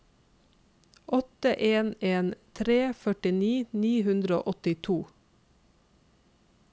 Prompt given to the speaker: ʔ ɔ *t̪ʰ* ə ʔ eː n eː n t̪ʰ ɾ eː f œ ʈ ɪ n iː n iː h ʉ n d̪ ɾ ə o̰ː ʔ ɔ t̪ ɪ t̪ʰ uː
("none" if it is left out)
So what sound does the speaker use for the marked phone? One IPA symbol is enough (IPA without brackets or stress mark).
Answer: t̪